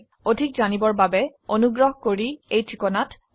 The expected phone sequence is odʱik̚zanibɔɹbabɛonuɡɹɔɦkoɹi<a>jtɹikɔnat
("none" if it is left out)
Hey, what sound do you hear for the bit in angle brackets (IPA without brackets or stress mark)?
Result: e